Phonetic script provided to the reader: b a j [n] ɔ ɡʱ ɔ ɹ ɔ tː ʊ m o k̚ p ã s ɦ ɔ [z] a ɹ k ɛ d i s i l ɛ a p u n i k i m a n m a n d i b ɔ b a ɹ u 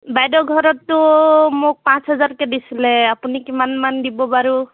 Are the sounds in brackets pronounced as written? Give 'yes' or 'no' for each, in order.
no, yes

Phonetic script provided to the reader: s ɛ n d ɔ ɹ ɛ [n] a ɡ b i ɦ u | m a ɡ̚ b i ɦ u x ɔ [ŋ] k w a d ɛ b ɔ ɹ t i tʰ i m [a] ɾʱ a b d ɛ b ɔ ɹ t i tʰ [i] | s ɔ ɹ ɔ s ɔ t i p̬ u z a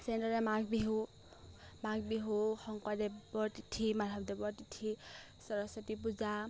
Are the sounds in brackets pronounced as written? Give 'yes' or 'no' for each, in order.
no, yes, yes, yes

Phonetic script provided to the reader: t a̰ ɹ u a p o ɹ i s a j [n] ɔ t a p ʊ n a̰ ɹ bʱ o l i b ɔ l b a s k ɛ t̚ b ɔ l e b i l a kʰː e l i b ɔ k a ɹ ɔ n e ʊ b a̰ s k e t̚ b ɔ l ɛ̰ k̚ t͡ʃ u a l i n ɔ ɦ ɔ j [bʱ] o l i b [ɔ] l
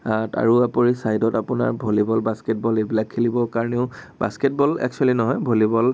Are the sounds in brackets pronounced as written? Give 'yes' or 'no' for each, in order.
no, yes, yes

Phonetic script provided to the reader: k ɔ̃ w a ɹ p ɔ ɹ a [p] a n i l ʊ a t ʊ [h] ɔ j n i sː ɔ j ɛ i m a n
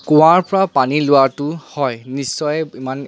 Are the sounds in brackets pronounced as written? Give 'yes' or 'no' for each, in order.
yes, yes

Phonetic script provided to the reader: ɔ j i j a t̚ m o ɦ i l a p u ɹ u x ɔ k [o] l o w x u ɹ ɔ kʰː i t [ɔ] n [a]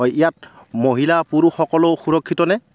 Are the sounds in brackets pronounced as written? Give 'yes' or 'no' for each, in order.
no, yes, no

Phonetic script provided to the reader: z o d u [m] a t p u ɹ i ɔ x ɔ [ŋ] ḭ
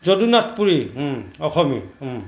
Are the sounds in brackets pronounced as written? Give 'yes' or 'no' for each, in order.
no, no

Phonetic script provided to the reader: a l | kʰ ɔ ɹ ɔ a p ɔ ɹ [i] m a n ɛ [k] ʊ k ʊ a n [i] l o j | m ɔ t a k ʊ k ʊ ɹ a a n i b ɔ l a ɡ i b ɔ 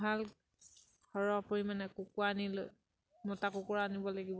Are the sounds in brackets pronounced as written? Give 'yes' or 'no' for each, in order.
yes, yes, yes

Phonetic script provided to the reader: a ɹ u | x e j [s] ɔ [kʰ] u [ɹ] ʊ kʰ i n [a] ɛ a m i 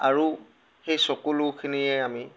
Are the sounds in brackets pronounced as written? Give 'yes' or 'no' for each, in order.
yes, no, no, no

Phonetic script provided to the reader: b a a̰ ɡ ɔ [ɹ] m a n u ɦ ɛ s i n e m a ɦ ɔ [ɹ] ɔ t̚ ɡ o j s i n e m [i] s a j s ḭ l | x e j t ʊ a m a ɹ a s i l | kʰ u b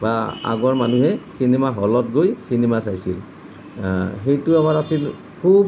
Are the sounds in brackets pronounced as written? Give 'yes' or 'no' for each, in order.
yes, no, no

